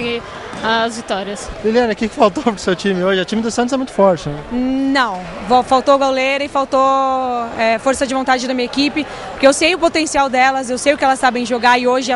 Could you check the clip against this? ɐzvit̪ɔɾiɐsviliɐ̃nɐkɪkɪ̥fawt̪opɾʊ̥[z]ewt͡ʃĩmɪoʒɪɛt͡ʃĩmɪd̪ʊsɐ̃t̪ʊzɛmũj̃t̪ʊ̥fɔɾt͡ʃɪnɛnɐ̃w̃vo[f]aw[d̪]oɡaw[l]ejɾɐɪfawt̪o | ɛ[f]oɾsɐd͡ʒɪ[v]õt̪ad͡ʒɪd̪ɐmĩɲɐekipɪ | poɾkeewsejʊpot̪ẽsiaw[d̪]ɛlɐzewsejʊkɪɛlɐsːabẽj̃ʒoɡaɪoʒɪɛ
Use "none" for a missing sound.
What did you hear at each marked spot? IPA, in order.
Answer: s, f, t̪, l, f, v, d̪

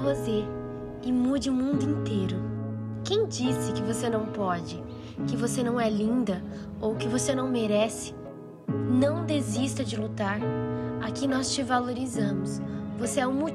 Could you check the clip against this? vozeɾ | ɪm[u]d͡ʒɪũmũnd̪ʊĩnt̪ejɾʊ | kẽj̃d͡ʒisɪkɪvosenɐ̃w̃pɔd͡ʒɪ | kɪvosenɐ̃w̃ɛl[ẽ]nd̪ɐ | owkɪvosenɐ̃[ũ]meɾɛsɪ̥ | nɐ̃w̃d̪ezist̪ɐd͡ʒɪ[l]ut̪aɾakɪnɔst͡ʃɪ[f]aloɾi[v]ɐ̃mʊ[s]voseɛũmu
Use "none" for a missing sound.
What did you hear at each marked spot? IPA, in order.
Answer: u, ĩ, w̃, l, v, z, s

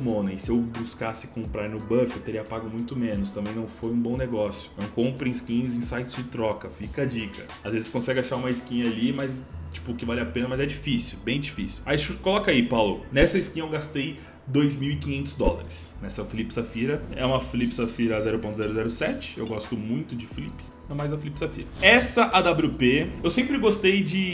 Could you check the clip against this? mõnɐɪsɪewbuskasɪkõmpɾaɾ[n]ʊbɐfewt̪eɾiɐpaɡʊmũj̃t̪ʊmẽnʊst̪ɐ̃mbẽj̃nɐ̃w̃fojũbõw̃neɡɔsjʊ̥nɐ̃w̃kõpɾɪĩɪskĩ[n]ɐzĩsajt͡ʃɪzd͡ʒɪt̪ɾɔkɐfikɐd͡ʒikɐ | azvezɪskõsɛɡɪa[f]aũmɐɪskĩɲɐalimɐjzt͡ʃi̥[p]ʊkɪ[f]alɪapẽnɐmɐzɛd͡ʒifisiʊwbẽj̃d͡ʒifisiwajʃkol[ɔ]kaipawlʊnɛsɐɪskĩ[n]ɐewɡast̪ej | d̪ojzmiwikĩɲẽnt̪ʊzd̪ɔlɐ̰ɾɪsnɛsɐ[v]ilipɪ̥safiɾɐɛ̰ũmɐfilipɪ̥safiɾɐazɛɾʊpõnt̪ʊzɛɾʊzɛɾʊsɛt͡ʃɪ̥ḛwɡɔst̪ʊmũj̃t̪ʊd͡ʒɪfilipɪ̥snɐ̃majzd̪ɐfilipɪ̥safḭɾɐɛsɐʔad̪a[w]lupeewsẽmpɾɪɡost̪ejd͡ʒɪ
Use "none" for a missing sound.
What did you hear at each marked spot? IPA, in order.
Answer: n, ɲ, ʃ, p, v, ɔ, ɲ, f, b

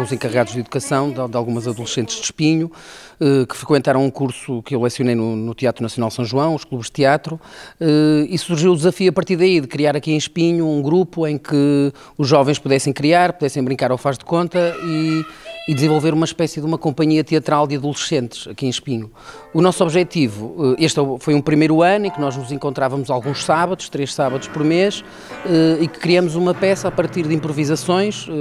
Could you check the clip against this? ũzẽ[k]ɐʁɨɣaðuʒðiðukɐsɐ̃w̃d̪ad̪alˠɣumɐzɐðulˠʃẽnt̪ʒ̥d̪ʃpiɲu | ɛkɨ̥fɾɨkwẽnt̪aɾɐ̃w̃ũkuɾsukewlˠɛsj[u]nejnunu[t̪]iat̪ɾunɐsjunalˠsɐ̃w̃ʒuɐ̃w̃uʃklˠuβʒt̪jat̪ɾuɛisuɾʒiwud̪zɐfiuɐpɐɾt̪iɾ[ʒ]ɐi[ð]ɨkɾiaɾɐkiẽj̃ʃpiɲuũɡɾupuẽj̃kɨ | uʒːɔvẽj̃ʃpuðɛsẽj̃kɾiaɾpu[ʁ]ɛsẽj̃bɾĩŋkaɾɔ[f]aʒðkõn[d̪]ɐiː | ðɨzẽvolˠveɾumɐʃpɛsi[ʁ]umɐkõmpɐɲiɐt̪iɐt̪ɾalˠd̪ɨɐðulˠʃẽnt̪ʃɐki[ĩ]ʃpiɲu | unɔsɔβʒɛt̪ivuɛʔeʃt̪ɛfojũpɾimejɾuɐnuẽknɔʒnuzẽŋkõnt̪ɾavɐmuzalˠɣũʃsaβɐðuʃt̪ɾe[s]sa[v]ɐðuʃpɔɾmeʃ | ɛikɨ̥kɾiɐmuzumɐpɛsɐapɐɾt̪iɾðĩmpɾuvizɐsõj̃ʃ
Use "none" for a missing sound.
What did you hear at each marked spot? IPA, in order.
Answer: k, u, t̪, ð, ð, ð, f, t̪, ð, ẽ, ʃ, β

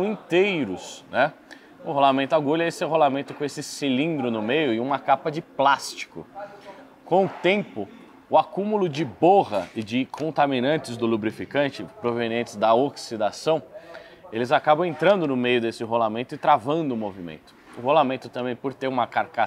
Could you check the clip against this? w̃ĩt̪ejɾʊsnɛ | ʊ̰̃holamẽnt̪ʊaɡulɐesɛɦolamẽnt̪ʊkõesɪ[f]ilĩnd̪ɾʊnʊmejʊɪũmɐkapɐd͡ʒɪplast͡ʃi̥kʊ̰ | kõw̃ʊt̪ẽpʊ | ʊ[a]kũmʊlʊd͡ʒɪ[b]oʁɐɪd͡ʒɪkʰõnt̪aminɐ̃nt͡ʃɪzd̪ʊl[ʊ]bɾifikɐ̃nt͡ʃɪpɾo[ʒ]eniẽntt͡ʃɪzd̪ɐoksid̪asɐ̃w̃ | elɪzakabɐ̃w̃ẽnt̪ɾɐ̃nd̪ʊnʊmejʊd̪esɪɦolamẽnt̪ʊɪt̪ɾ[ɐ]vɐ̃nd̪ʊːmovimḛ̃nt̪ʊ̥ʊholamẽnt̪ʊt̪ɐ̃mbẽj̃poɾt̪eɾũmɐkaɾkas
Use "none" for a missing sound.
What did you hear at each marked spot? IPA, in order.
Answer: s, a, b, u, v, a

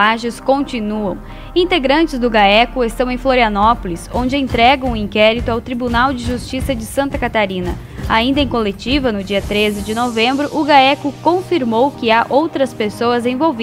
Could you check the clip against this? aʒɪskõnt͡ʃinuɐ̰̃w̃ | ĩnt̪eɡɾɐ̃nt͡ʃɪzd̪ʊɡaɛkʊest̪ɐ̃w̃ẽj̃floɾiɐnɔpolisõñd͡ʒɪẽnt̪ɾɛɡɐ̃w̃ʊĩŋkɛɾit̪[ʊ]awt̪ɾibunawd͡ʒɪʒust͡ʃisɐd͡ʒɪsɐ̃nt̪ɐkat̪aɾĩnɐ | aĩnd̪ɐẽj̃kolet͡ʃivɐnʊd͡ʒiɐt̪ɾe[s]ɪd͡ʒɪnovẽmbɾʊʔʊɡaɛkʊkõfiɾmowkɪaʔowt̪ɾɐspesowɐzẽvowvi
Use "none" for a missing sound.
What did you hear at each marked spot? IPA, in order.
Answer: ʊ, z

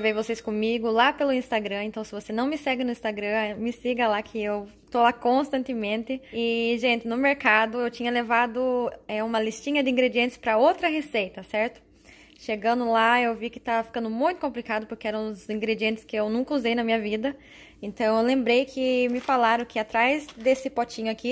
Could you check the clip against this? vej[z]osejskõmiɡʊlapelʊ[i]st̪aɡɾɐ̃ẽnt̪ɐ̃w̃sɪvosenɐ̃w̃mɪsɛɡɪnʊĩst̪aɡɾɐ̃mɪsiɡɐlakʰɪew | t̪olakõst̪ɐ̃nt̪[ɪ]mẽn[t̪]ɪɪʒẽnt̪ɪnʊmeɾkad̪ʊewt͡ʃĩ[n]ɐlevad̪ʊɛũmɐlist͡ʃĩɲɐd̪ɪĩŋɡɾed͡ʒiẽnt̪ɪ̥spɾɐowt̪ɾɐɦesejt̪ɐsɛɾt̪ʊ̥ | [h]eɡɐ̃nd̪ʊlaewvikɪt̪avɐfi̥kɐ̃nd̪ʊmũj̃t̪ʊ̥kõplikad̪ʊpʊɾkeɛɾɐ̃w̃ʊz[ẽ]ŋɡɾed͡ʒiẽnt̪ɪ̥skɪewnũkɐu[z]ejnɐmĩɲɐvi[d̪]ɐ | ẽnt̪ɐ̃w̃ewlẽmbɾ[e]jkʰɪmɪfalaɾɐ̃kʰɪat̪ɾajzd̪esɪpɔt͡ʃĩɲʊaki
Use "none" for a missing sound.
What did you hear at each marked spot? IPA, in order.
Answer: v, ĩ, ɪ, t̪, ɲ, ʃ, ĩ, z, d̪, e

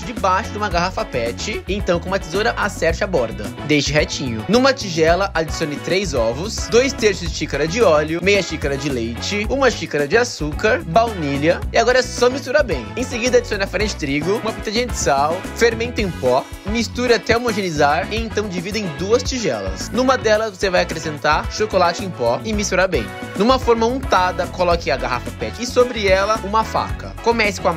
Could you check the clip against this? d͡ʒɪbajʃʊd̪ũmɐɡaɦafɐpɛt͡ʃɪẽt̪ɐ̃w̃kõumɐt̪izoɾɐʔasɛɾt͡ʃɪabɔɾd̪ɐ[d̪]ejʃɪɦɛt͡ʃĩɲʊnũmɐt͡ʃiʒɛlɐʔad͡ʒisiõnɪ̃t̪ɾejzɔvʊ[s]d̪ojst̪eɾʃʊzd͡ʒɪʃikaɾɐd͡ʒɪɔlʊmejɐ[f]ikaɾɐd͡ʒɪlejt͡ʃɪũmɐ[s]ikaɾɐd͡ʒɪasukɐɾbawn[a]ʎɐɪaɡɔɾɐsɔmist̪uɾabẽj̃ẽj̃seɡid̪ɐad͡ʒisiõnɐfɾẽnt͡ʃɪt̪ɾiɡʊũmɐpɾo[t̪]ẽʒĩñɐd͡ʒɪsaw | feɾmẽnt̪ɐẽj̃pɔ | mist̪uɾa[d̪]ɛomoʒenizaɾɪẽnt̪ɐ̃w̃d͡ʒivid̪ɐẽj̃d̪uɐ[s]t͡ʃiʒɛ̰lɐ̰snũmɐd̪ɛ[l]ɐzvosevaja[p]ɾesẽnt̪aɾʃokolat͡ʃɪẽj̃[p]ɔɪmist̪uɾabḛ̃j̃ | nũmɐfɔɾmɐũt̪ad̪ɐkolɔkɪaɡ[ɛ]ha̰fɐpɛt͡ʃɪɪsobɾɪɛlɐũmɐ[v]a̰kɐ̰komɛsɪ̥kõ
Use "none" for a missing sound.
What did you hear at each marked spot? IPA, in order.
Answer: d̪, s, ʃ, ʃ, i, t̪, t̪, s, l, k, p, a, f

